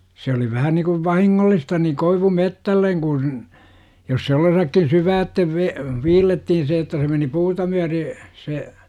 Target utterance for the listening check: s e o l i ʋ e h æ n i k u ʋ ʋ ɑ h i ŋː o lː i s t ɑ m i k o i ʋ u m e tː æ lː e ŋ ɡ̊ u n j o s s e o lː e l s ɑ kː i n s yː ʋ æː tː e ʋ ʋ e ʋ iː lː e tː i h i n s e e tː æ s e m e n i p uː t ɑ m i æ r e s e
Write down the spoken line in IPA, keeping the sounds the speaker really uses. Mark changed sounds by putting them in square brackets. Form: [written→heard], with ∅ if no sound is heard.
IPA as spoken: s e o l i ʋ [e→æ] h æ n i k u ʋ ʋ ɑ h i ŋː o lː i s t ɑ [m→n] i k o i ʋ u m e tː æ lː e ŋ ɡ̊ u n j o s s e o lː e [l→∅] s ɑ kː i n s yː ʋ æː tː e ʋ ʋ e ʋ iː lː e tː i h i n s e e tː æ s e m e n i p uː t ɑ m [i→y] æ r e s e

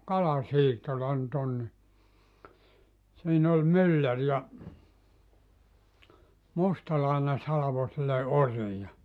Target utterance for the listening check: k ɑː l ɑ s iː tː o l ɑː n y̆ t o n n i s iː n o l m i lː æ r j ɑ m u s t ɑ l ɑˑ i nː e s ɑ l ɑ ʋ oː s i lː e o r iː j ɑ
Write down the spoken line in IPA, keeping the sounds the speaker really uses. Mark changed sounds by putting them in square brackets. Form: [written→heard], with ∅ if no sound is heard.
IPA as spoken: k [ɑː→ɑ] l ɑ s iː tː o l [ɑː→ɑ] n y̆ t o n n i s iː n o l m [i→y] lː æ r j ɑ m u s t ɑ l ɑˑ i [nː→n] e s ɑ l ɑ ʋ [oː→o] s i lː e o r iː j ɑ

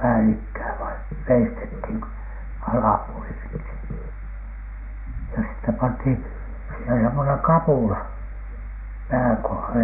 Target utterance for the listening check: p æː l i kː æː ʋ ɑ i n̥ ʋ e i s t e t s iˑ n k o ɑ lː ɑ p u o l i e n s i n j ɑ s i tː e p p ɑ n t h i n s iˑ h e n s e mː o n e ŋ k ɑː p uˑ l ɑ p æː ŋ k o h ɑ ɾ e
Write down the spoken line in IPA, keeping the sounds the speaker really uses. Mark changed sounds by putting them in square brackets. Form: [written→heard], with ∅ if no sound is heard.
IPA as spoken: p æː l i kː æː ʋ ɑ i n̥ ʋ e i s t e t [s→h] iˑ n k o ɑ [lː→l] ɑ p u o l i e n s i n j ɑ s i tː e p p ɑ n t h i n s iˑ h e n s e mː o n e ŋ k [ɑː→ɑ] p uˑ l ɑ p æː ŋ k o h ɑ [ɾ→l] e

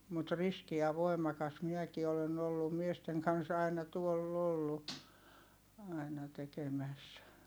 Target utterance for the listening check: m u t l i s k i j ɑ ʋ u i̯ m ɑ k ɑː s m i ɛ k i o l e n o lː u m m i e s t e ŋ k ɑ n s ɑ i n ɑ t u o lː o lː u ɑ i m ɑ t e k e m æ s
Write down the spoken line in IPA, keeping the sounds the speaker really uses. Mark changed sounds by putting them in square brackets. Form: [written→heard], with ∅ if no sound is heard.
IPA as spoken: m u t [l→r] i s k i j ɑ ʋ [u→o] i̯ m ɑ k [ɑː→ɑ] s m i ɛ k i o l e n o lː u m m i e s t e ŋ k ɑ n s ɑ i n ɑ t u o lː o lː u ɑ i [m→n] ɑ t e k e m æ s

